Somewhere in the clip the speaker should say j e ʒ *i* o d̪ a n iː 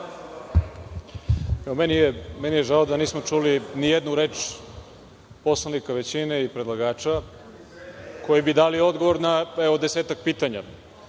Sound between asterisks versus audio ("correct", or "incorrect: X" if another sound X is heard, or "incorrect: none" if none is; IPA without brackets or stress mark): incorrect: a